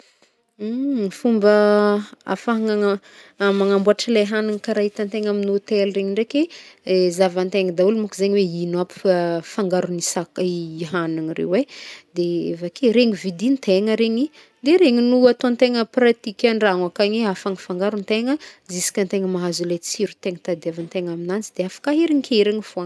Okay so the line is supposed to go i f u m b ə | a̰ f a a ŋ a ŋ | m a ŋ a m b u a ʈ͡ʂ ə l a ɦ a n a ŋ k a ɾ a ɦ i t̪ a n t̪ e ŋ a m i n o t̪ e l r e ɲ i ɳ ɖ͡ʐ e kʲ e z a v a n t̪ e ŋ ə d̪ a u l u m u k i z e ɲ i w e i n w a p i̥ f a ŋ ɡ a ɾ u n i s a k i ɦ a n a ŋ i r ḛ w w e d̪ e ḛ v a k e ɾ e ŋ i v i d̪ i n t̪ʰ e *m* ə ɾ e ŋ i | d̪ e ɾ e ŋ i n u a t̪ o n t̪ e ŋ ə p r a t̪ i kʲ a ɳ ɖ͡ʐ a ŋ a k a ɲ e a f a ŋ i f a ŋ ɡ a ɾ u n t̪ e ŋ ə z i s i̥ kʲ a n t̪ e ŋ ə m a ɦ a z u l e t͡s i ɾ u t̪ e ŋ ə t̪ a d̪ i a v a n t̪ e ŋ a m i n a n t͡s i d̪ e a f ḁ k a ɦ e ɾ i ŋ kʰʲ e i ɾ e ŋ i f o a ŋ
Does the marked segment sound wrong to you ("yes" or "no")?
yes